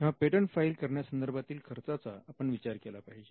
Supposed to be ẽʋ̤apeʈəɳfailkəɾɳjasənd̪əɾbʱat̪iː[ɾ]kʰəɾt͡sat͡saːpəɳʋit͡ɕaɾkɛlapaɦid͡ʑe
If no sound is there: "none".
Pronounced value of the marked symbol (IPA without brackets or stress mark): l